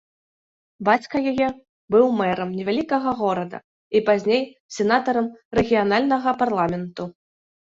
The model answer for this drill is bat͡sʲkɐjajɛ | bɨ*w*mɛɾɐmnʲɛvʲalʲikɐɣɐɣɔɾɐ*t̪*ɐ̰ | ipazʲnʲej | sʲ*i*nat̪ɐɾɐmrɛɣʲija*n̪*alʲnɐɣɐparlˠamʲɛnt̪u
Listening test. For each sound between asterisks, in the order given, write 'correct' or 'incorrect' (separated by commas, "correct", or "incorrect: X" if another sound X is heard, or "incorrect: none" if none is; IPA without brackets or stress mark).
correct, incorrect: d̪, incorrect: ɛ, correct